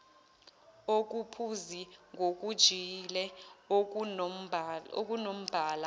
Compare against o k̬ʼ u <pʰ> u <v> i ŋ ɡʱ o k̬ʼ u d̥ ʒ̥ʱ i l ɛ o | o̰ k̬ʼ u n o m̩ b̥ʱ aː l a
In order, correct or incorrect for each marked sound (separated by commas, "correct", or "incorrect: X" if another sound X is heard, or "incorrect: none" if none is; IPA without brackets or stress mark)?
correct, incorrect: z